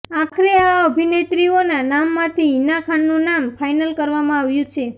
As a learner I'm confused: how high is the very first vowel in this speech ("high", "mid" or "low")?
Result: low